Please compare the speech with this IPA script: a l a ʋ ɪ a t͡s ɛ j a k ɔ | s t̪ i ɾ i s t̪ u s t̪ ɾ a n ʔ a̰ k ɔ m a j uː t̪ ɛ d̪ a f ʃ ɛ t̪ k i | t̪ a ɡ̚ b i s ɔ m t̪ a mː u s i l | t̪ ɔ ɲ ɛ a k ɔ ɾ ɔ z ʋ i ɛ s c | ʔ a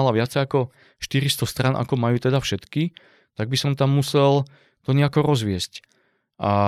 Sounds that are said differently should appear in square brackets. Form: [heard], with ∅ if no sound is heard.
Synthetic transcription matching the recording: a l a ʋ ɪ a t͡s ɛ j a k ɔ | [ʃ] t̪ i ɾ i s t̪ [ɔ] s t̪ ɾ a n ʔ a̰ k ɔ m a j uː t̪ ɛ d̪ a f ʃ ɛ t̪ k i | t̪ a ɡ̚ b i s ɔ m t̪ a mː u s [ɛ] l | t̪ ɔ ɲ ɛ a k ɔ ɾ ɔ z ʋ [ɪ] ɛ s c | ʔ a